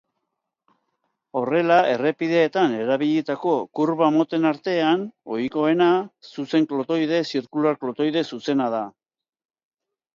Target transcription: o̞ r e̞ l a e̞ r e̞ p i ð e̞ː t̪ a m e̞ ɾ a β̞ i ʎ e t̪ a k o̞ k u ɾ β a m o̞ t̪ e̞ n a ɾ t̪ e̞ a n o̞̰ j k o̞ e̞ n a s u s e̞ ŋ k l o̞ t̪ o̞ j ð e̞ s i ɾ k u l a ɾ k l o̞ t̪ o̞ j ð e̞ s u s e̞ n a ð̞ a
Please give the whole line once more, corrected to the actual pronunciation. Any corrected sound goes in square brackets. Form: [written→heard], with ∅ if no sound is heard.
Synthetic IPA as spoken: o̞ r e̞ l a e̞ r e̞ p i ð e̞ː t̪ a [m→n] e̞ ɾ a β̞ i ʎ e t̪ a k o̞ k u ɾ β a m o̞ t̪ e̞ n a ɾ t̪ e̞ a n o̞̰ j k o̞ e̞ n a s u s e̞ ŋ k l o̞ t̪ o̞ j ð e̞ s i ɾ k u l a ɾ k l o̞ t̪ o̞ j ð e̞ s u s e̞ n a ð̞ a